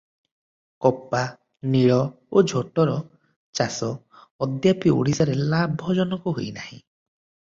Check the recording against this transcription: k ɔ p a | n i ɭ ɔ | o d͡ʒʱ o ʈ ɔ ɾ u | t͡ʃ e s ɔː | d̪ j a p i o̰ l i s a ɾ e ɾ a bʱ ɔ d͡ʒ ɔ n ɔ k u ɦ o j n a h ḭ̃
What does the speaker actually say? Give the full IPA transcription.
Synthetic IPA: k ɔ p a | n i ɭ ɔ | o d͡ʒʱ o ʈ ɔ ɾ ɔ | t͡ʃ a s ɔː | d̪ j a p i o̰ ɽ i s a ɾ e l a bʱ ɔ d͡ʒ ɔ n ɔ k u ɦ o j n a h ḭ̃